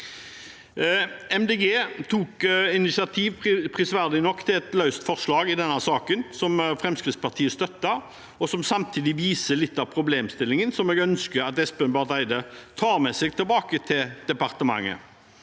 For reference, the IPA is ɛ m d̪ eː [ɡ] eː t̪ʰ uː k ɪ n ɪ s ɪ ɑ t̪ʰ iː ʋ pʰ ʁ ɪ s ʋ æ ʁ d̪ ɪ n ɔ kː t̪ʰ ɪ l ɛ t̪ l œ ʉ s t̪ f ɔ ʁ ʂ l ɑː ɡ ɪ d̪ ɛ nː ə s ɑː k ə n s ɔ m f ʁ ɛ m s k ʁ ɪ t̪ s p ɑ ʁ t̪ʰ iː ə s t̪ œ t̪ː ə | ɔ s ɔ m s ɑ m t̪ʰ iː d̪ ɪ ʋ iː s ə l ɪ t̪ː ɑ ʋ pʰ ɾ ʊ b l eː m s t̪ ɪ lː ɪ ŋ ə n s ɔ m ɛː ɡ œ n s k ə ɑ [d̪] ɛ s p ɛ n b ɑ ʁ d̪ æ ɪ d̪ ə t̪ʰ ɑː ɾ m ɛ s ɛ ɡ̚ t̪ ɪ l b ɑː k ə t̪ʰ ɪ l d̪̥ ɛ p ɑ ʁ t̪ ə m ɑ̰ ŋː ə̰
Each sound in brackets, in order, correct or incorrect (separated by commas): correct, incorrect